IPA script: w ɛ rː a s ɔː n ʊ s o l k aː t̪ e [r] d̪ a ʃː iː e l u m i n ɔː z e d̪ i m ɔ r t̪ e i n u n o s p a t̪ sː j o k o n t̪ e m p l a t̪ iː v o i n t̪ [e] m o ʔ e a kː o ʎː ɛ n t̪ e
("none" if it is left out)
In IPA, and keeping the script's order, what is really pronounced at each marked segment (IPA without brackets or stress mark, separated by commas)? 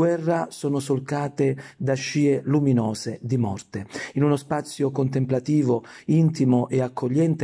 none, i